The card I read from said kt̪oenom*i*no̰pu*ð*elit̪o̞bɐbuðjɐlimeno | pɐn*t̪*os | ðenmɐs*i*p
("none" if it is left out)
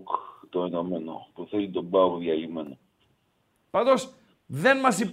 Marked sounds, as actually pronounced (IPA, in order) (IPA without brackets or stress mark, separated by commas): e, θ, d̪, i